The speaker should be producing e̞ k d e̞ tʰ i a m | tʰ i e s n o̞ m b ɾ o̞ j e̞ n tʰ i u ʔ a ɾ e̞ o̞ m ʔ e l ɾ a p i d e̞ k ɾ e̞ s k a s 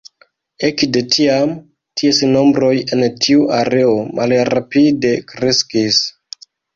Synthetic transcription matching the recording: e̞ k d e̞ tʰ i a m | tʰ i e s n o̞ m b ɾ o̞ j e̞ n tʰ i u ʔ a ɾ e̞ o̞ m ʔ a l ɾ a p i d e̞ k ɾ e̞ s k i s